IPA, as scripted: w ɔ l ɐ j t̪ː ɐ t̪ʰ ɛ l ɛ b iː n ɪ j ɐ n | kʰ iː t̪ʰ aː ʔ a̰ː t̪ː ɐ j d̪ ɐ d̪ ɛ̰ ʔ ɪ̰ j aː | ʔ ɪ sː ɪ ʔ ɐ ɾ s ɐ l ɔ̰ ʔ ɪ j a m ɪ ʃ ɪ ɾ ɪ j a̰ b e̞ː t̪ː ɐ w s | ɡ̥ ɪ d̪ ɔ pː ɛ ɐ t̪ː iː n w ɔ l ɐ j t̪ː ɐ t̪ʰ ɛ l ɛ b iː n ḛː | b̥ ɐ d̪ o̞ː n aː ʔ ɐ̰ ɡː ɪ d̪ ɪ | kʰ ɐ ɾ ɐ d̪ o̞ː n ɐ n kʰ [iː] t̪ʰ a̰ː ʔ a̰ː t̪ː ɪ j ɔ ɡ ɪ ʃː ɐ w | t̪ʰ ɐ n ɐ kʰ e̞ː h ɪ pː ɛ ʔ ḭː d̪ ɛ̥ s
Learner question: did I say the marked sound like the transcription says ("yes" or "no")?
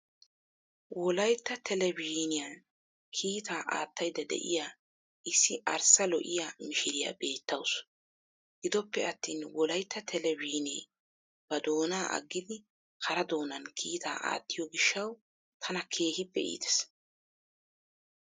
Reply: yes